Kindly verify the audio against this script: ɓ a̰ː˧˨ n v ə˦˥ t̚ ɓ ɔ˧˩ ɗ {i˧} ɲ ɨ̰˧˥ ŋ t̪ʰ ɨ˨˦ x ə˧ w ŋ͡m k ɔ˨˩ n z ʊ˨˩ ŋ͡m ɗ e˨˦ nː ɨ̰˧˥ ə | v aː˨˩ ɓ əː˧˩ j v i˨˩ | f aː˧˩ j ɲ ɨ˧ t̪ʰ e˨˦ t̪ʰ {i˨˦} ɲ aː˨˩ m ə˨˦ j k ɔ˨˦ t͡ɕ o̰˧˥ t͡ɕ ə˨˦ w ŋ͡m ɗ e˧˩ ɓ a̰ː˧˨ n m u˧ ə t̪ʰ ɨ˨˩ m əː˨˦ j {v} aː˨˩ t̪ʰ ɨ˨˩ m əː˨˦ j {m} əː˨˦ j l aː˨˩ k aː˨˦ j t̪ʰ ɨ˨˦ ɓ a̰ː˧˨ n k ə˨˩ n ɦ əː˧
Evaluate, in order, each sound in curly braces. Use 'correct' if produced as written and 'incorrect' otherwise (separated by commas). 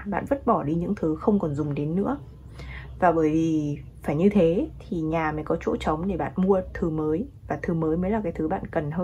correct, incorrect, correct, correct